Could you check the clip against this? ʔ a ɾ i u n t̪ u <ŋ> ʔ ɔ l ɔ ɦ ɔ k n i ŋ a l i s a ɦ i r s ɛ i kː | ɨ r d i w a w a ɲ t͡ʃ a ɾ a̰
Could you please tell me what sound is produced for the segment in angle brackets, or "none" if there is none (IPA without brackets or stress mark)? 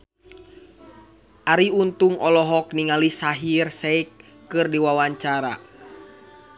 ŋ